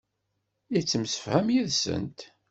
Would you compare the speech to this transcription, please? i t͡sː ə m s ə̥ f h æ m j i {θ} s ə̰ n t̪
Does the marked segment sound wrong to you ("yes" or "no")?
yes